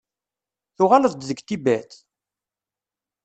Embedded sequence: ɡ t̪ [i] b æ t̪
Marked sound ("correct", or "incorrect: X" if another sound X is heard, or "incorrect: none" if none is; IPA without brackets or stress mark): correct